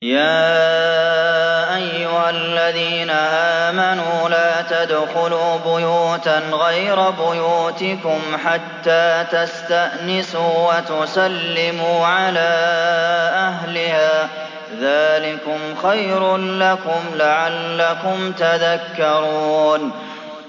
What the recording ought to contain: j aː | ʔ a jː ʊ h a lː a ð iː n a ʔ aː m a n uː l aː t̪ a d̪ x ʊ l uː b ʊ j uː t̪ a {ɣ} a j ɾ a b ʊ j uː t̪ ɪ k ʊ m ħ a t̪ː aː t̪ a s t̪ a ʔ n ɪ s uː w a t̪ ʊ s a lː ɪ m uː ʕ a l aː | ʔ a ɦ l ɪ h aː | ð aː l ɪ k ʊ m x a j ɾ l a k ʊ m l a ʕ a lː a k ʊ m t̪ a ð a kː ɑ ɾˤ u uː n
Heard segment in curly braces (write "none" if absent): ɣ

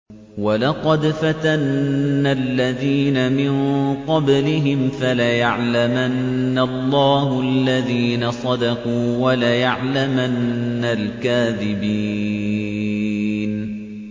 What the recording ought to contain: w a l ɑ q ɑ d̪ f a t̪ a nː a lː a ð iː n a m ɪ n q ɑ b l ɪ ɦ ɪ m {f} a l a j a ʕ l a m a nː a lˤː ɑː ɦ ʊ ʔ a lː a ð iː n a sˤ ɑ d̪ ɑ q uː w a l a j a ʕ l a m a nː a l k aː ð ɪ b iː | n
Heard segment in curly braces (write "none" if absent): f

